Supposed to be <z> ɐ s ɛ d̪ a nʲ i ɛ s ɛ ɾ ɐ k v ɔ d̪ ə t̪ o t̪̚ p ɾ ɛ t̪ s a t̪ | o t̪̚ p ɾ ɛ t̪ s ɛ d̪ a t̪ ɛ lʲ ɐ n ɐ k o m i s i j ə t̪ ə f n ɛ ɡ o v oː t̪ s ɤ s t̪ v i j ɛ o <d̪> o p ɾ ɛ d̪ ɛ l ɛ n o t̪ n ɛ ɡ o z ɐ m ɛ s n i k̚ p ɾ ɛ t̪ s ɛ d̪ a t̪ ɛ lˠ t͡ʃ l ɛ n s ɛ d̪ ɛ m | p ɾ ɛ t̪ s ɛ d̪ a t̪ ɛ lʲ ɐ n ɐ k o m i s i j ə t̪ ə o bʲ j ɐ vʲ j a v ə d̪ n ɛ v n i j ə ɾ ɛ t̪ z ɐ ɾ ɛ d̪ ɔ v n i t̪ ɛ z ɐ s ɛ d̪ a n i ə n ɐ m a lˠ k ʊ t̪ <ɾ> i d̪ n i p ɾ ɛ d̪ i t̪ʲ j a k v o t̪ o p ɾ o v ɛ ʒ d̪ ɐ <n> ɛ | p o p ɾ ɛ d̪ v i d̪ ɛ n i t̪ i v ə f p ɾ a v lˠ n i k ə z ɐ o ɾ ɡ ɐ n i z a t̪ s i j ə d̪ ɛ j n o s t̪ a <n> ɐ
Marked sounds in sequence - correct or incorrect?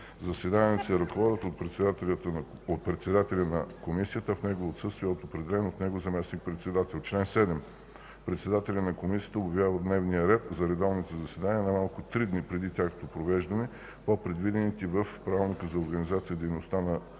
correct, incorrect, correct, correct, correct

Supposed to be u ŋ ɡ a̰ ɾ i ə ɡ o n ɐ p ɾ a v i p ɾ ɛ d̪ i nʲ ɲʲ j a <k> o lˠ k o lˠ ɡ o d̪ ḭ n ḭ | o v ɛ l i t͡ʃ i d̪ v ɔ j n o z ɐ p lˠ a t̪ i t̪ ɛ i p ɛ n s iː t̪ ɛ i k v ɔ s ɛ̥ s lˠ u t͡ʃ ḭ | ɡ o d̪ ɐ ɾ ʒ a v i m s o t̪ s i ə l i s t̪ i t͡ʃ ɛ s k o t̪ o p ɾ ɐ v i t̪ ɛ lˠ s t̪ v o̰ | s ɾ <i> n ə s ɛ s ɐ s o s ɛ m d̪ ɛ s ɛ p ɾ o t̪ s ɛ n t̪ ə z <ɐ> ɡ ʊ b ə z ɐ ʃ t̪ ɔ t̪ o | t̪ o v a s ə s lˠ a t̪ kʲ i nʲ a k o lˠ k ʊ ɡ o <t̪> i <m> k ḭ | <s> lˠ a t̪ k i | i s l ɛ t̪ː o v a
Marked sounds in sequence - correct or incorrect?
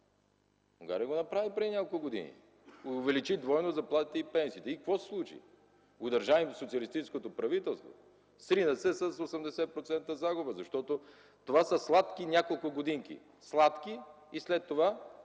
correct, correct, incorrect, incorrect, incorrect, correct

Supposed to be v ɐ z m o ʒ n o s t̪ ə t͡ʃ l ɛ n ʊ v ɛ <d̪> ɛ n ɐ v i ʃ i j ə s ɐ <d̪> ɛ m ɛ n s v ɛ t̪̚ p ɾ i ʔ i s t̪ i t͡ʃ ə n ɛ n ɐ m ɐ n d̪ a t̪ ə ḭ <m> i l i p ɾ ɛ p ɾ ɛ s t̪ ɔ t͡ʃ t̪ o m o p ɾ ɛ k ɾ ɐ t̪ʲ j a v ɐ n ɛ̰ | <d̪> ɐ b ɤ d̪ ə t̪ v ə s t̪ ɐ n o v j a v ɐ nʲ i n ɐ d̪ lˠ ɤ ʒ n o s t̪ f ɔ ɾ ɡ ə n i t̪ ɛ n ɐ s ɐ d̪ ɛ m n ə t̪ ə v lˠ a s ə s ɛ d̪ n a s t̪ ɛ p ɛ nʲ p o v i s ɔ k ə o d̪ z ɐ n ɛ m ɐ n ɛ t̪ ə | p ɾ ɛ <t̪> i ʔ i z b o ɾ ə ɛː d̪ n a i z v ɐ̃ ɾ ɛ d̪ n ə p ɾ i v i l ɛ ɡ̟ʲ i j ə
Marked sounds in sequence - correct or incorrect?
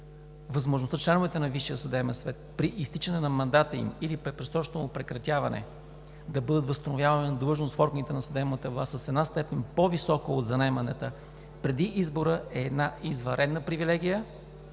incorrect, correct, correct, correct, incorrect

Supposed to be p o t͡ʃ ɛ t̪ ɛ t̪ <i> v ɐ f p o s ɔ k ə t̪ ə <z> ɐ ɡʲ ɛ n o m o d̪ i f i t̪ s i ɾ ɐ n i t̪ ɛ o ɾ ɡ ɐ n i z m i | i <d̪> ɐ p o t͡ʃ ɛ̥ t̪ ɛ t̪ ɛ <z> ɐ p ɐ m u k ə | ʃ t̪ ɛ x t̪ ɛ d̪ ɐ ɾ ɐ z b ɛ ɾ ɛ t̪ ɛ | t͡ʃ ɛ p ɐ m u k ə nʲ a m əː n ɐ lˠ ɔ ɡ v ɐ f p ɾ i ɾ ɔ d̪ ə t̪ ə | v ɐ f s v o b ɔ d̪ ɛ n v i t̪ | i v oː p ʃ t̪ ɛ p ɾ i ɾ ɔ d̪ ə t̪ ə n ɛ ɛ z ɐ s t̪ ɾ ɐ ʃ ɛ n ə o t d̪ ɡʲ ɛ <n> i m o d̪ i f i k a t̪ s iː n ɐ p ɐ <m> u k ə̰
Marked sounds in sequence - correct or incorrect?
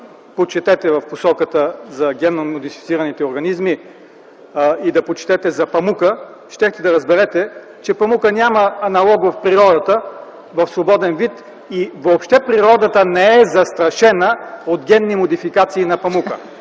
incorrect, correct, correct, correct, incorrect, correct

